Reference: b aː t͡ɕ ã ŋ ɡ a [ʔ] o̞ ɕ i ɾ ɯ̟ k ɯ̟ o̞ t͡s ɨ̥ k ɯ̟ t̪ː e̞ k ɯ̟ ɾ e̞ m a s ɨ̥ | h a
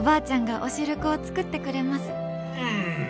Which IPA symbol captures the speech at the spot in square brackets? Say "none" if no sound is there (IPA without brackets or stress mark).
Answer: ʔ